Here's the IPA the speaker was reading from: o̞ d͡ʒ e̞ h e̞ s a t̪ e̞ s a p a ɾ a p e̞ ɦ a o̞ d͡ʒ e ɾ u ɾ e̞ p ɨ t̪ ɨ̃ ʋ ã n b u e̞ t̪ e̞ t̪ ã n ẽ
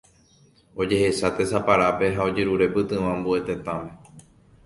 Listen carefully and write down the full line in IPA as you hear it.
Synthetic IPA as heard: o̞ d͡ʒ e̞ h e̞ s a t̪ e̞ s a p a ɾ a p e̞ ɦ a o̞ d͡ʒ e ɾ u ɾ e̞ p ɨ t̪ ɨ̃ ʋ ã m b u e̞ t̪ e̞ t̪ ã m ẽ